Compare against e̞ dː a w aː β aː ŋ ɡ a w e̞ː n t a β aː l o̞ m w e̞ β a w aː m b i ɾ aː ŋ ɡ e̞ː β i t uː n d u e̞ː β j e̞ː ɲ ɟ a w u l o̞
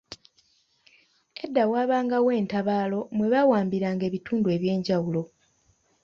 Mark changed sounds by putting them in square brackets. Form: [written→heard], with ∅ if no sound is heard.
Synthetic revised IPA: e̞ dː a w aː β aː ŋ ɡ a w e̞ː n t a β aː l o̞ m w e̞ β a w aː m b i ɾ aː ŋ ɡ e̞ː β i t uː n d u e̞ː β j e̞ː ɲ ɟ a w u l o̞